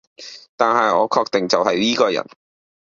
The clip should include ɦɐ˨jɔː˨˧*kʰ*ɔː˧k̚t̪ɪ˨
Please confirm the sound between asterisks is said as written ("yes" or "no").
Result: yes